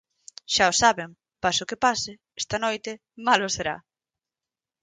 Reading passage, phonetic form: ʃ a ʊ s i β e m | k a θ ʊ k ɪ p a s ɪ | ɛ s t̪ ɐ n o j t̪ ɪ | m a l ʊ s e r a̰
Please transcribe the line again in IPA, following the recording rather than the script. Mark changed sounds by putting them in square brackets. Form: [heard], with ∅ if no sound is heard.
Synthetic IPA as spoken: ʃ a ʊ s [a] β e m | [p] a [s] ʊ k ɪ p a s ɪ | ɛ s t̪ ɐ n o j t̪ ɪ | m a l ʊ s e [ɾ] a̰